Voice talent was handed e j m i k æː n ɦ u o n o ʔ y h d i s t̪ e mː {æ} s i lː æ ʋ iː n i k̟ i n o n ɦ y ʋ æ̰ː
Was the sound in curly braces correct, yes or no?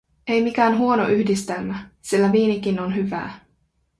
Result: yes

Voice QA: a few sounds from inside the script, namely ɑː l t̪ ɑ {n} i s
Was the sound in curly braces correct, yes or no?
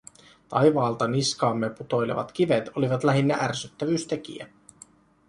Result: yes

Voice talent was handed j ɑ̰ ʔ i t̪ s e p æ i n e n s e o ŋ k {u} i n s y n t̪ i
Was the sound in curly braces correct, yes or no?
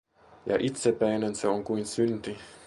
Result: yes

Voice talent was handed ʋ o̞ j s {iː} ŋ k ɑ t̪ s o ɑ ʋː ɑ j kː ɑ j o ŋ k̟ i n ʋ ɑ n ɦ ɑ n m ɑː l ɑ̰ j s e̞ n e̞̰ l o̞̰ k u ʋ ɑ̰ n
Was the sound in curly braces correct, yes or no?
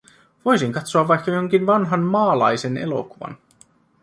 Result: no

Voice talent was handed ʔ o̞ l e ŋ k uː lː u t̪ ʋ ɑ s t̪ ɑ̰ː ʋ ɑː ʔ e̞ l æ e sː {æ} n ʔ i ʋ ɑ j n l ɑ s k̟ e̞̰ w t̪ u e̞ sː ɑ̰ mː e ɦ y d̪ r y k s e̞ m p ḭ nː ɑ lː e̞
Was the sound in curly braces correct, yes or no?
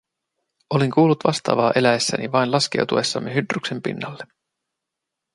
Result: yes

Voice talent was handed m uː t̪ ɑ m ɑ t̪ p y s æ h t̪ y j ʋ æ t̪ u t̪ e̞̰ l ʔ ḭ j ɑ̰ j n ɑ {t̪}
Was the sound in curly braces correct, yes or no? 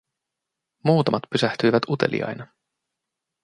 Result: no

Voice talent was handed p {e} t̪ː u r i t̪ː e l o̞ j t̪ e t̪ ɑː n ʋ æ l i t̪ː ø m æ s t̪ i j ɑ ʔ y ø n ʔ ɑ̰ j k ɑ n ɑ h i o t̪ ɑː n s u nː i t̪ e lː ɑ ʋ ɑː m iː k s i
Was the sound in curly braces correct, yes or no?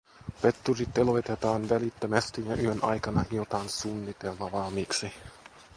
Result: yes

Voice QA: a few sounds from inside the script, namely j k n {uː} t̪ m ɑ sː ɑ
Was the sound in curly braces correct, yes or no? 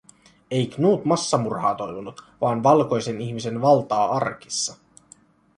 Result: yes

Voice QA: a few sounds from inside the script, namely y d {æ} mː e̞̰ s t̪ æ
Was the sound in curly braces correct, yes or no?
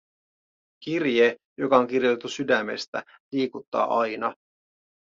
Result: yes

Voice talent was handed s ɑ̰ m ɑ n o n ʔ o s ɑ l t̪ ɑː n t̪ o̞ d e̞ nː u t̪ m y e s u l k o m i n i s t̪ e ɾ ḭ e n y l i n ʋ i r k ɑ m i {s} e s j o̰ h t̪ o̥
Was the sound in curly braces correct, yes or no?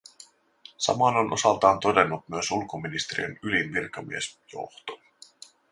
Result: no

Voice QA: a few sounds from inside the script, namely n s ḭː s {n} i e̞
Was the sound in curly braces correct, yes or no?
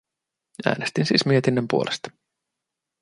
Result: no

